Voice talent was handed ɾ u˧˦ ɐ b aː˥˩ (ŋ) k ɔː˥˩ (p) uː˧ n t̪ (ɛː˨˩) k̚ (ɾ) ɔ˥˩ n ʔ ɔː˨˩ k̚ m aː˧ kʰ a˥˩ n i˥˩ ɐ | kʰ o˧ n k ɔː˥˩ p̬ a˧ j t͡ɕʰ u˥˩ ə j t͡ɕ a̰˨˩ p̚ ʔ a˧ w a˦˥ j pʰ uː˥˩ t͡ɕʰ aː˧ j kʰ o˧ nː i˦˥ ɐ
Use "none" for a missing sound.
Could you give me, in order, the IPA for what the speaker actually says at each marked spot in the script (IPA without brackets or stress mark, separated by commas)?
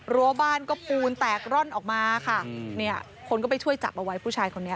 n, p, ɛː˨˩, ɾ